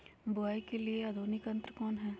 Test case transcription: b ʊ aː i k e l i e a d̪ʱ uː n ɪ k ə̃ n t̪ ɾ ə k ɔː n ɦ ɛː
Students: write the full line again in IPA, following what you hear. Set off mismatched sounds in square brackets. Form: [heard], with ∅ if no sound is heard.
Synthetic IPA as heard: b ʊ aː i k e l i e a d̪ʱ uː n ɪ k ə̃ n t̪ ɾ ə k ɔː n ɦ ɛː